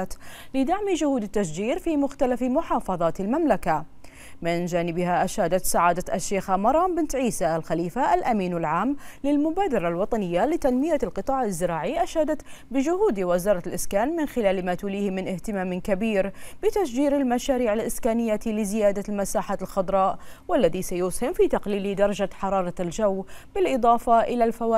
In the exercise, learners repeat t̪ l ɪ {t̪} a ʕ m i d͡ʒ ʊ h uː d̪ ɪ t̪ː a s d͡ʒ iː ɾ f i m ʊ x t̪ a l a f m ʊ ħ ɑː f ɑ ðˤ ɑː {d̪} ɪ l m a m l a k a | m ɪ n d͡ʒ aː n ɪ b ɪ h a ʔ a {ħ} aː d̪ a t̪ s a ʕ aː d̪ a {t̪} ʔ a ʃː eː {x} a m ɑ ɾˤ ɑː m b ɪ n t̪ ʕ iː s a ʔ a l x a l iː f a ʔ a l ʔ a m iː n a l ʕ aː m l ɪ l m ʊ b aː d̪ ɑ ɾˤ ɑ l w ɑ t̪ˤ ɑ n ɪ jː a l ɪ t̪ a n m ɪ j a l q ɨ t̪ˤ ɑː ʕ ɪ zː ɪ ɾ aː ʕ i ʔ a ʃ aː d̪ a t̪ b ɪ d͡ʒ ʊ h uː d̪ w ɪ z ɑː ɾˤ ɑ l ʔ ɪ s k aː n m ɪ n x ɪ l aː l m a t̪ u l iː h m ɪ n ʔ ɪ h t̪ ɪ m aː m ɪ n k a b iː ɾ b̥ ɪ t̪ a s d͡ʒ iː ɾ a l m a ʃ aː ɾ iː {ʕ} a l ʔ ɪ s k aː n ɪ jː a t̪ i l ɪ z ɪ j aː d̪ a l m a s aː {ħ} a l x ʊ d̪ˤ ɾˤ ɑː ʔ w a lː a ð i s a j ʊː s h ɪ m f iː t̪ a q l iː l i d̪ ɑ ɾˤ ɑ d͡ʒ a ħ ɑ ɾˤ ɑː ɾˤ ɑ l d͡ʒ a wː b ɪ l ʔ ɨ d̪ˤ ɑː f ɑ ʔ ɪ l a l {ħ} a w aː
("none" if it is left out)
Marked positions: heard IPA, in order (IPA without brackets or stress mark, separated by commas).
d̪, t̪, ʃ, t̪, x, ʕ, ħ, f